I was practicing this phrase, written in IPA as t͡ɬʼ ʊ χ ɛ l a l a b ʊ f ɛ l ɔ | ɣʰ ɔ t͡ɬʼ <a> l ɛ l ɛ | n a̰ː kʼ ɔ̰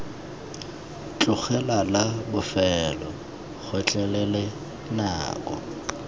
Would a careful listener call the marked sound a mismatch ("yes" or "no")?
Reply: yes